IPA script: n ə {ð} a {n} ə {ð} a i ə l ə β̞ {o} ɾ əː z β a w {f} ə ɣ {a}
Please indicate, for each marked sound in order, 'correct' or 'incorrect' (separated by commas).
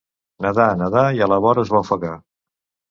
correct, correct, correct, incorrect, correct, correct